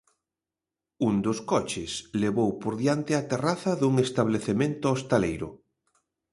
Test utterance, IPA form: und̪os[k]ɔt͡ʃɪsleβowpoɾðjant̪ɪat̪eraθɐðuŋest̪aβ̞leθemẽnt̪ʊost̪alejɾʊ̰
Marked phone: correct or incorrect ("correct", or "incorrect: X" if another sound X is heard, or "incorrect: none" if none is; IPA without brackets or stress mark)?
correct